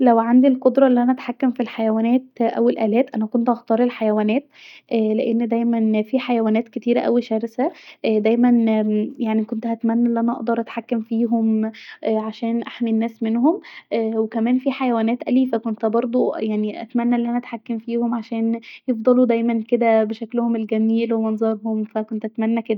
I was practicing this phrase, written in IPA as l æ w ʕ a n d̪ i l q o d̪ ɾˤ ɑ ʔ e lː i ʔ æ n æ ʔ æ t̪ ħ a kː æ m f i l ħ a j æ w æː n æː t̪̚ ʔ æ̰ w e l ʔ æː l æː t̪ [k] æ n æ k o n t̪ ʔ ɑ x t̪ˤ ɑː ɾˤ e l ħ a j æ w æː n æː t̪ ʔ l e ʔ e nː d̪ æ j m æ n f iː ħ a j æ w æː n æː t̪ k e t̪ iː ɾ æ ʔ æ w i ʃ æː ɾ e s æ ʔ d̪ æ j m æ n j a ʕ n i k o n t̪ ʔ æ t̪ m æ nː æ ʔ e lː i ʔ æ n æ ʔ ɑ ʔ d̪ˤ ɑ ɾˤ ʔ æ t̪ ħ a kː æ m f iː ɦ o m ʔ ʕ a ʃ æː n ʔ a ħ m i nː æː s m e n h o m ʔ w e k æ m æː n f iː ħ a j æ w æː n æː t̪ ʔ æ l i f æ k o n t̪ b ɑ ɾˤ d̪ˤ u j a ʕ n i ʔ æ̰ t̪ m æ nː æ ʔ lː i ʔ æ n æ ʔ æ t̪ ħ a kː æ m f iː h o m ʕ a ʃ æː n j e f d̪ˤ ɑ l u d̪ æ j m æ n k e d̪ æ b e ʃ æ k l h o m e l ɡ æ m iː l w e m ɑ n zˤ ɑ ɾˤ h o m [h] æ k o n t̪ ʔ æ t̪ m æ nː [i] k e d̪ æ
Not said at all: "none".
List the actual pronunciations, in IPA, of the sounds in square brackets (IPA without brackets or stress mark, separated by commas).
ʔ, f, æ